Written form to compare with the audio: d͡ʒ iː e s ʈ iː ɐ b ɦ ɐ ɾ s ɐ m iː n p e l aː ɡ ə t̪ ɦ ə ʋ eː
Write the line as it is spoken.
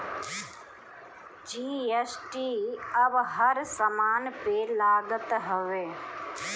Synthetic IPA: d͡ʒ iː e s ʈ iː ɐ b ɦ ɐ ɾ s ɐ m aː n p e l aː ɡ ə t̪ ɦ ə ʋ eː